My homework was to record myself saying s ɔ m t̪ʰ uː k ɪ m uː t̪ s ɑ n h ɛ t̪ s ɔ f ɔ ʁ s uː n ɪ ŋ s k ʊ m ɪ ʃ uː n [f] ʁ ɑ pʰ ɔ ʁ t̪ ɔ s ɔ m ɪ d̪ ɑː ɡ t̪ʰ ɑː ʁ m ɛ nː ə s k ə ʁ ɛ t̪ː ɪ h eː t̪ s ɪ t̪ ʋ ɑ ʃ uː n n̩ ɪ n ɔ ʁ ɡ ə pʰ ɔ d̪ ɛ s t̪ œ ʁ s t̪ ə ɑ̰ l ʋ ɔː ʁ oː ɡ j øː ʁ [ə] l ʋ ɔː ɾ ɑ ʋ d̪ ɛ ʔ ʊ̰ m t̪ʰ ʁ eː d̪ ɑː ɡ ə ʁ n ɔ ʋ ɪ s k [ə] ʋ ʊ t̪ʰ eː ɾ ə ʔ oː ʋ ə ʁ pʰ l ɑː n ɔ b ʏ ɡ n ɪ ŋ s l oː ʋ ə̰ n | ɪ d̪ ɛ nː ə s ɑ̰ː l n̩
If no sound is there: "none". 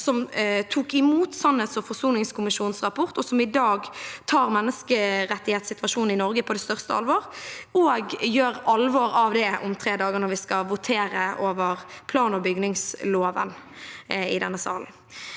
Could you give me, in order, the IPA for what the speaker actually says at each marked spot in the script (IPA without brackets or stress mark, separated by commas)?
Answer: s, ɑ, ɑ